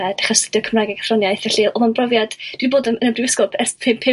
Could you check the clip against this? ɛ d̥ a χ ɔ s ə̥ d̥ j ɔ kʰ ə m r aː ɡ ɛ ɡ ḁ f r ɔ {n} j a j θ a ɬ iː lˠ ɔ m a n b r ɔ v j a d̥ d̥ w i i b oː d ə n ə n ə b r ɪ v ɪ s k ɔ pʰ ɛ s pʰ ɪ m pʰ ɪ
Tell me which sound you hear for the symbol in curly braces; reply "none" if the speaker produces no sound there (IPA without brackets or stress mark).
n